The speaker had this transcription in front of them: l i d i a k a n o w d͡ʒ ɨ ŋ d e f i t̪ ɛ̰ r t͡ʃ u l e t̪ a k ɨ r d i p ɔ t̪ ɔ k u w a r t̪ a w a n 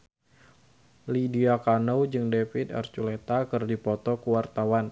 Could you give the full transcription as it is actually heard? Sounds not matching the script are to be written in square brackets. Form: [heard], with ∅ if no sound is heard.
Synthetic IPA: l i d i a k a n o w d͡ʒ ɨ ŋ d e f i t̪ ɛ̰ r t͡ʃ u l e t̪ a k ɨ r d i p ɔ t̪ ɔ k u w a r t̪ a w a n

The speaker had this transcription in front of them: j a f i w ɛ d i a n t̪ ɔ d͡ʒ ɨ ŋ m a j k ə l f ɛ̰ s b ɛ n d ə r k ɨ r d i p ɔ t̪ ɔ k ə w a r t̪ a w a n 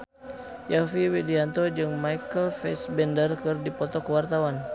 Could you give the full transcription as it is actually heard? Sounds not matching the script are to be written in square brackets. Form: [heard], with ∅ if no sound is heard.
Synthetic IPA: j a f i w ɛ d i a n t̪ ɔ d͡ʒ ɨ ŋ m a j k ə l f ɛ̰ s b ɛ n d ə r k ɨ r d i p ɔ t̪ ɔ k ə w a r t̪ a w a n

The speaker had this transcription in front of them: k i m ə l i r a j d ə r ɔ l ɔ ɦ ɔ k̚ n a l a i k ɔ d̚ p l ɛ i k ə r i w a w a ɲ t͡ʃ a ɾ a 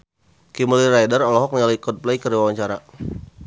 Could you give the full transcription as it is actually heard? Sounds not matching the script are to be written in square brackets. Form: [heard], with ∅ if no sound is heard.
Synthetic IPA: k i m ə l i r a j d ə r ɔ l ɔ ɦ ɔ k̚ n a l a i k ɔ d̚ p l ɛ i k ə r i w a w a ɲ t͡ʃ a ɾ a

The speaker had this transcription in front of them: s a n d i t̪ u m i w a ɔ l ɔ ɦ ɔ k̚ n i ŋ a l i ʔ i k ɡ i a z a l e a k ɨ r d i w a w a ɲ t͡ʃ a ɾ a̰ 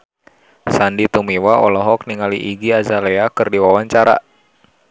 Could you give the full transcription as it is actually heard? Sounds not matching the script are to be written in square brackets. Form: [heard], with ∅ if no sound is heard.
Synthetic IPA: s a n d i t̪ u m i w a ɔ l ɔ ɦ ɔ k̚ n i ŋ a l i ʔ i [∅] ɡ i a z a l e a k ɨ r d i w a w a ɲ t͡ʃ a ɾ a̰

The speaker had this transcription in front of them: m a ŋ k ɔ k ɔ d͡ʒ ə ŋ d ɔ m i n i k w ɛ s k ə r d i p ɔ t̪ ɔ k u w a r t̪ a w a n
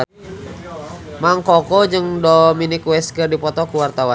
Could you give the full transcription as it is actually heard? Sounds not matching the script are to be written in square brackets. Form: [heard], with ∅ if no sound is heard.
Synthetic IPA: m a ŋ k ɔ k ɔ d͡ʒ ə ŋ d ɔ m i n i k w ɛ s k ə r d i p ɔ t̪ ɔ k u w a r t̪ a w a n

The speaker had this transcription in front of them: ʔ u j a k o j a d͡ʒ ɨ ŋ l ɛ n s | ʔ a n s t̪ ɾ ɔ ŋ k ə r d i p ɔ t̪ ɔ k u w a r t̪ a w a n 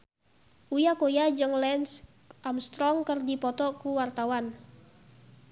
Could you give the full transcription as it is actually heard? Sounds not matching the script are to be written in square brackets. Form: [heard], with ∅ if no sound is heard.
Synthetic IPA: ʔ u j a k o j a d͡ʒ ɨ ŋ l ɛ n s | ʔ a [m] s t̪ ɾ ɔ ŋ k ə r d i p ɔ t̪ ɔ k u w a r t̪ a w a n

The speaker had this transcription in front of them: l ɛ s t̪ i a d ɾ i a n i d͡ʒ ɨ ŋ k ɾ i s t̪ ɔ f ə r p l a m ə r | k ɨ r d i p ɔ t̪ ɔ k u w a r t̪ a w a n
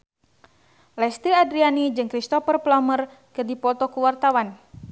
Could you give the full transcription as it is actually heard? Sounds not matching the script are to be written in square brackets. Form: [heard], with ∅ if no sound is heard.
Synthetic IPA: l ɛ s t̪ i a d ɾ i a n i d͡ʒ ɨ ŋ k ɾ i s t̪ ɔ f ə r p l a m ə r | k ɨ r d i p ɔ t̪ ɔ k u w a r t̪ a w a n

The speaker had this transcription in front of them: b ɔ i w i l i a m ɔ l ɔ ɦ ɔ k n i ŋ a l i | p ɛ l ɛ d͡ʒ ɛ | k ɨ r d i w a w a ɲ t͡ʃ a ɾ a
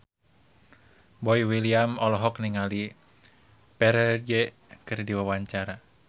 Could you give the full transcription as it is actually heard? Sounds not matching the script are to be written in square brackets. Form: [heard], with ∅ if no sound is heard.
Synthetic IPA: b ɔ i w i l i a m ɔ l ɔ ɦ ɔ k n i ŋ a l i | p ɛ [ɾ] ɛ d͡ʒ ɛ | k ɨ r d i w a w a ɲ t͡ʃ a ɾ a

